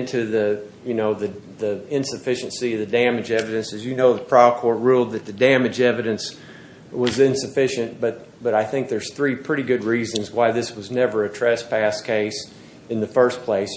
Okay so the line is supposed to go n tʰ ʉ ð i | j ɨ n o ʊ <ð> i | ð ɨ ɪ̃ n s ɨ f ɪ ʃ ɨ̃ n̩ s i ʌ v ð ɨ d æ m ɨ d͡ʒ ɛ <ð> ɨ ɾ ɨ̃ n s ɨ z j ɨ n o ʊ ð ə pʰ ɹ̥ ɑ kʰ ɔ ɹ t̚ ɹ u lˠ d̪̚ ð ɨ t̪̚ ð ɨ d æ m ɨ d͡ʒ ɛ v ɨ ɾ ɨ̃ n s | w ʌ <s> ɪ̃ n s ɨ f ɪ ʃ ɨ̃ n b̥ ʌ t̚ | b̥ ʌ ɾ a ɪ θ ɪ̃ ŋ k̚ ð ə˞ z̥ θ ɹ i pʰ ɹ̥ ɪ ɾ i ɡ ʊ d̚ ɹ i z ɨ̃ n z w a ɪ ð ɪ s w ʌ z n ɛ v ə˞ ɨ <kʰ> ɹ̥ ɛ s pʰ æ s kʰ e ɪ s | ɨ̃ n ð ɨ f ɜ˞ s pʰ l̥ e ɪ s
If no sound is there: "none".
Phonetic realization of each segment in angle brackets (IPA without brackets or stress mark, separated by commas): ð, v, z, tʰ